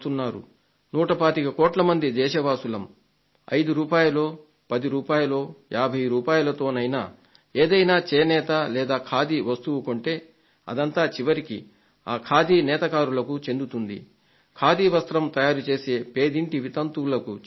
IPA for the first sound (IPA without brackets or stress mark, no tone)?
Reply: t̪